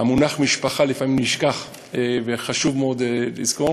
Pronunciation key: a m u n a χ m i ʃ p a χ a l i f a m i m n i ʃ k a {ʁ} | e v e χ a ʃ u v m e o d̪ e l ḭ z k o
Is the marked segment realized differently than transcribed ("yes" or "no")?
yes